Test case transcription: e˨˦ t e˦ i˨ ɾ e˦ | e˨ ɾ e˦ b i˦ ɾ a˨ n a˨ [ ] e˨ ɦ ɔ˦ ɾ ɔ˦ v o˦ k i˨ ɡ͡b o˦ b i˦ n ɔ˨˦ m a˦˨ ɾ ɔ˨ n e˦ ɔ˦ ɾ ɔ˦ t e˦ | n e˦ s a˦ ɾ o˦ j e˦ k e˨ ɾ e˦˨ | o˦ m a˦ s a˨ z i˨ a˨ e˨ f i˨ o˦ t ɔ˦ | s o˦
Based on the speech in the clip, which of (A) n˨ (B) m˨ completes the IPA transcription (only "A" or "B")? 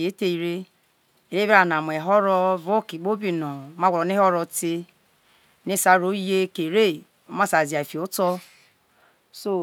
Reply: B